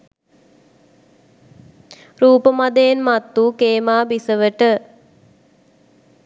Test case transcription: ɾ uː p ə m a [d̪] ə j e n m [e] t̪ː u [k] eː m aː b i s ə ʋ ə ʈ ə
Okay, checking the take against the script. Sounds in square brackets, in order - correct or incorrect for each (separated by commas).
correct, incorrect, correct